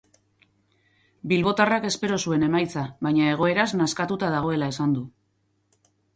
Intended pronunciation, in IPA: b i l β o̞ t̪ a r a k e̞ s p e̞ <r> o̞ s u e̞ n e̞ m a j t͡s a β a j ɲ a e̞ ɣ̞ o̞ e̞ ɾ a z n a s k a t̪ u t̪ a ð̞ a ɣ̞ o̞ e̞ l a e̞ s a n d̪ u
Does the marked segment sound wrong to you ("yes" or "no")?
yes